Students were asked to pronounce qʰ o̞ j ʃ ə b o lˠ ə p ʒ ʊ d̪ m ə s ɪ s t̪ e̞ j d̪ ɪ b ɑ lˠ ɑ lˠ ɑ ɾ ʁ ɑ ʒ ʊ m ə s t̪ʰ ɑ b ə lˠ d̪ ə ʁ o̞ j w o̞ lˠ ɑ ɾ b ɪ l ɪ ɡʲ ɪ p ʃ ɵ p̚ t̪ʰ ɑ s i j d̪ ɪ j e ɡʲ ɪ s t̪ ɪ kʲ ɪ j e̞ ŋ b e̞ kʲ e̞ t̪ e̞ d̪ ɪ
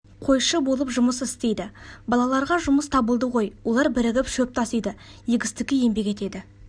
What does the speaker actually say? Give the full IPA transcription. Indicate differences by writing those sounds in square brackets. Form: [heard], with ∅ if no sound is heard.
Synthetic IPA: qʰ o̞ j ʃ ə b o lˠ ə p ʒ ʊ [∅] m ə s ɪ s t̪ e̞ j d̪ ɪ b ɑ lˠ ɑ lˠ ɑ ɾ ʁ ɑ ʒ ʊ m ə s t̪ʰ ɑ b ə lˠ d̪ ə ʁ o̞ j w o̞ lˠ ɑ ɾ b ɪ [ɾ] ɪ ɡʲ ɪ p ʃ ɵ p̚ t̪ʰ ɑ s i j d̪ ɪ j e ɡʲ ɪ s t̪ ɪ kʲ ɪ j e̞ [m] b e̞ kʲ e̞ t̪ e̞ d̪ ɪ

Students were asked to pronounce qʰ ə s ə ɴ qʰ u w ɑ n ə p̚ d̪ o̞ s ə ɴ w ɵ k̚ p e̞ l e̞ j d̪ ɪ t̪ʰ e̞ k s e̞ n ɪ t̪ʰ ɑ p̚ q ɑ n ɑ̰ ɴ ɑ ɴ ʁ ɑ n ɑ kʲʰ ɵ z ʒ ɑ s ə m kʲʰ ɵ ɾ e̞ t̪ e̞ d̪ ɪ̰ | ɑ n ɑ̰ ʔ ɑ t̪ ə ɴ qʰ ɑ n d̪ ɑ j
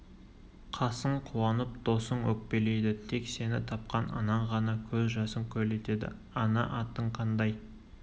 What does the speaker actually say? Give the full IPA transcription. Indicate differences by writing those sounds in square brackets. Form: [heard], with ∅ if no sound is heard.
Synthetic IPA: qʰ [ɑ] s ə ɴ qʰ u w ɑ n ə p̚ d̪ o̞ s ə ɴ w ɵ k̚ p e̞ l e̞ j d̪ ɪ t̪ʰ e̞ k s e̞ n ɪ t̪ʰ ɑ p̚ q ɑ n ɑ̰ [n] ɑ ɴ ʁ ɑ n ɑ kʲʰ ɵ z ʒ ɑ s ə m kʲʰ ɵ [l] e̞ t̪ e̞ d̪ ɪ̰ | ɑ n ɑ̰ ʔ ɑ t̪ ə ɴ qʰ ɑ n d̪ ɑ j

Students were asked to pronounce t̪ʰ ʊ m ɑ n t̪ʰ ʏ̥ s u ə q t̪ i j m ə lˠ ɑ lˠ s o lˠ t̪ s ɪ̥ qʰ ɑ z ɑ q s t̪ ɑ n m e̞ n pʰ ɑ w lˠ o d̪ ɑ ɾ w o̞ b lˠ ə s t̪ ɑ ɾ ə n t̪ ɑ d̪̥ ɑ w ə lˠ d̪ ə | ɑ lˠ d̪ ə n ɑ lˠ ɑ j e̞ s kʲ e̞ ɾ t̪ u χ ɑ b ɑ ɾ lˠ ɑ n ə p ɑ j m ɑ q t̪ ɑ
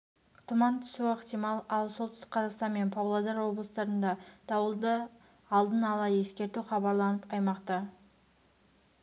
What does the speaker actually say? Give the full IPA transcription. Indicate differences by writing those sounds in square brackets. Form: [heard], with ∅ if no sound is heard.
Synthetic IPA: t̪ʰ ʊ m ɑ n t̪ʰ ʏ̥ s u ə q t̪ i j m [ɑ] lˠ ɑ lˠ s o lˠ t̪ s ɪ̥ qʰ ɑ z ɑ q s t̪ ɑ n m e̞ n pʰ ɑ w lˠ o d̪ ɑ ɾ w o̞ b lˠ ə s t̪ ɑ ɾ ə n [d̪] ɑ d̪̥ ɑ w ə lˠ d̪ ə | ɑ lˠ d̪ ə n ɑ lˠ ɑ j e̞ s kʲ e̞ ɾ t̪ u χ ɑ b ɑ ɾ lˠ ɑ n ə p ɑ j m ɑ q t̪ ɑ

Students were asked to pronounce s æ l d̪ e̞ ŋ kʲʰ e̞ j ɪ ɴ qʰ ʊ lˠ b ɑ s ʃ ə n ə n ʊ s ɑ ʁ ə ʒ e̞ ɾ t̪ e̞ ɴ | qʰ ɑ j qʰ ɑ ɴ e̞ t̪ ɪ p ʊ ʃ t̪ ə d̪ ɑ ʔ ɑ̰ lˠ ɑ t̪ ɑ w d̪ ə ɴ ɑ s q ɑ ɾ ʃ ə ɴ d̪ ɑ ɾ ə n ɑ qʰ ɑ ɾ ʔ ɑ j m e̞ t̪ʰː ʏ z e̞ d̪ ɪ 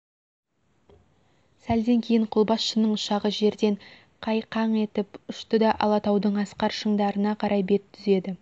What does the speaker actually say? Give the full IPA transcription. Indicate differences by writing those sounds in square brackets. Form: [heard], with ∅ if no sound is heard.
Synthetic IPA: s æ l d̪ e̞ ŋ kʲʰ e̞ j ɪ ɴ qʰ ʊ lˠ b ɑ s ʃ ə n ə [ɴ] ʊ [ʃ] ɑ ʁ ə ʒ e̞ ɾ [d̪] e̞ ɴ | qʰ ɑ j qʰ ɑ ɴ e̞ t̪ ɪ p ʊ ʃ t̪ ə d̪ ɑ ʔ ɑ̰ lˠ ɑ t̪ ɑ w d̪ ə ɴ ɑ s q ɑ ɾ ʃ ə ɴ d̪ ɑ ɾ ə n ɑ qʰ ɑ ɾ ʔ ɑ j [b] e̞ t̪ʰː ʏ z e̞ d̪ ɪ

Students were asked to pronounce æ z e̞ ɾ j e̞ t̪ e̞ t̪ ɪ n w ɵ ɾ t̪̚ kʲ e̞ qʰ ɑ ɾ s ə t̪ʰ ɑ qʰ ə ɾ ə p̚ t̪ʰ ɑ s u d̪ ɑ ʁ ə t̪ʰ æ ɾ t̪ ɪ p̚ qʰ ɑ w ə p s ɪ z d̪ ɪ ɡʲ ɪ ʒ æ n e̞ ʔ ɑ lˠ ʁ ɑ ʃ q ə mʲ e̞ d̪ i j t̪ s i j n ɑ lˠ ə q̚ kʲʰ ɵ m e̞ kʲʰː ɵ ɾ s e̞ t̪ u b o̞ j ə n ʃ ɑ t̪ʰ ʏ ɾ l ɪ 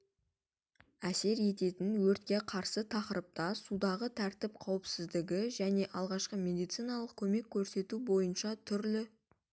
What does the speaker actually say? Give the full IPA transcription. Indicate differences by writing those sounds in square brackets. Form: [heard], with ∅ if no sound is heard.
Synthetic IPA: æ [s] e̞ ɾ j e̞ t̪ e̞ t̪ ɪ n w ɵ ɾ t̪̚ kʲ e̞ qʰ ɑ ɾ s ə t̪ʰ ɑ [q] ə ɾ ə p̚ [t̪] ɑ s u d̪ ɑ ʁ ə t̪ʰ æ ɾ t̪ ɪ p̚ qʰ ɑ w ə p s ɪ z d̪ ɪ ɡʲ ɪ ʒ æ n e̞ ʔ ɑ lˠ ʁ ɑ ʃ q ə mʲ e̞ d̪ i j t̪ s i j n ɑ lˠ ə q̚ kʲʰ ɵ m e̞ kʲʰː ɵ ɾ s e̞ t̪ u b o̞ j ə n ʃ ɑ t̪ʰ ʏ ɾ l ɪ

